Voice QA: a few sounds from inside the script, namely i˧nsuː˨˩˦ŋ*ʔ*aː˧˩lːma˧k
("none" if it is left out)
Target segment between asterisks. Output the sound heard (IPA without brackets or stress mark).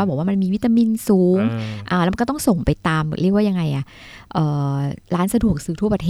ʔ